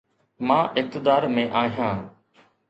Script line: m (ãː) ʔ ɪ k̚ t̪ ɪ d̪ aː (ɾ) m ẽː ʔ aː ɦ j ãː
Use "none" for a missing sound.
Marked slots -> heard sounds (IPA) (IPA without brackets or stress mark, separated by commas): ãː, ɾ